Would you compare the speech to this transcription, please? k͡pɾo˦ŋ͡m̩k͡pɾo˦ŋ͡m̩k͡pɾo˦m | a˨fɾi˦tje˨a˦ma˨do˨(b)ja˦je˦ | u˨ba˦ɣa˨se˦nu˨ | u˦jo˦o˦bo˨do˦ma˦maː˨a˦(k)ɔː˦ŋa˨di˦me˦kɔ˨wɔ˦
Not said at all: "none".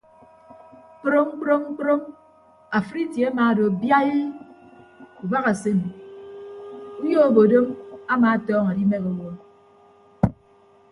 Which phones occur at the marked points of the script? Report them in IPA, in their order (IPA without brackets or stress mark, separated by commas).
b, t